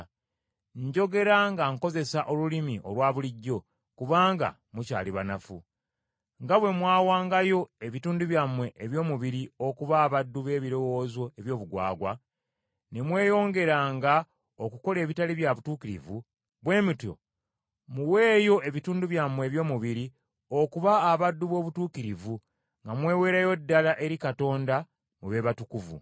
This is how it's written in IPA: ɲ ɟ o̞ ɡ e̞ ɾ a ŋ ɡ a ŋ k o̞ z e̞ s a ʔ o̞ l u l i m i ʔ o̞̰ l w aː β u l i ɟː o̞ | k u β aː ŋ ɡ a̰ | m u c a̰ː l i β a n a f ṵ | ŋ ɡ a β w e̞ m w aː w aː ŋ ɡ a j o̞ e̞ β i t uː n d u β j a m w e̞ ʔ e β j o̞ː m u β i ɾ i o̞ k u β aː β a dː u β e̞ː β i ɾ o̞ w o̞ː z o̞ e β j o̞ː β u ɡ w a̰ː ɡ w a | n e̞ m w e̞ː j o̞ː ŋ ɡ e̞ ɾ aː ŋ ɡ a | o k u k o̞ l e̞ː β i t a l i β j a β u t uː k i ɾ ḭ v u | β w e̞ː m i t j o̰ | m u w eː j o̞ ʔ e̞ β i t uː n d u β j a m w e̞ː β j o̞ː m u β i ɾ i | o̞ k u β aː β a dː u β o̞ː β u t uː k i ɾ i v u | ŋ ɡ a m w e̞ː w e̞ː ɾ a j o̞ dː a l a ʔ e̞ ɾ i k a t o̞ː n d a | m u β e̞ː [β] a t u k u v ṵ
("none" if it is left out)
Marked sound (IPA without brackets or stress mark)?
β